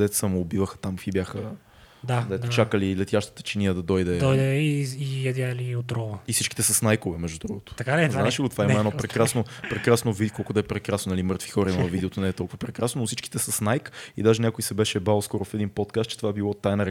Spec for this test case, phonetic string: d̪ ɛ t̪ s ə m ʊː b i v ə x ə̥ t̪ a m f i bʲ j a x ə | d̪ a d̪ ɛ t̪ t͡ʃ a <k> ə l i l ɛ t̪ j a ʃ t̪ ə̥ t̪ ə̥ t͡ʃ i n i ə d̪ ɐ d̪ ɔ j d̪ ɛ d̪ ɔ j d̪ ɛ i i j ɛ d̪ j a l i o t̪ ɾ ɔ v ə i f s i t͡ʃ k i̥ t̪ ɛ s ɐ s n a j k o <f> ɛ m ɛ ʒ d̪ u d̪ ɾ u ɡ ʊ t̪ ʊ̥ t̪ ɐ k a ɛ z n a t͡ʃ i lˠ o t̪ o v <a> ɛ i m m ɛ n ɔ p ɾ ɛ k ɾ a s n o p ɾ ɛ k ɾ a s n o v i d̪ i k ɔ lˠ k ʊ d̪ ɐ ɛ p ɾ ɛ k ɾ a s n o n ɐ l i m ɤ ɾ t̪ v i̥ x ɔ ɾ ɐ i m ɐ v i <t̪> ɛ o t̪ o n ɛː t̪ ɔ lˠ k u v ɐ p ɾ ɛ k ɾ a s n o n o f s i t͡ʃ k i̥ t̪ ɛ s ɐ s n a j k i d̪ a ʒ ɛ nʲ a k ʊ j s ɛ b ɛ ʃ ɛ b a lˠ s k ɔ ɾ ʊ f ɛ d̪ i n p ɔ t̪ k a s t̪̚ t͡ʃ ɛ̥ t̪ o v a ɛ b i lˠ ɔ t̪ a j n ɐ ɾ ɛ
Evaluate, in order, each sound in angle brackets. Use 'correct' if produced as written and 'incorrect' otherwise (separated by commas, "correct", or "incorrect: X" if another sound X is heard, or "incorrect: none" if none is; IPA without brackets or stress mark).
correct, incorrect: v, correct, incorrect: d̪